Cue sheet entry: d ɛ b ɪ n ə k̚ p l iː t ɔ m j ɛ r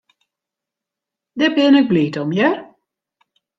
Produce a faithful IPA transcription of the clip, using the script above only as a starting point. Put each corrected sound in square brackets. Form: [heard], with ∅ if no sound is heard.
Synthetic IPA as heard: d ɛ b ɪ n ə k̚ [b] l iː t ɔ m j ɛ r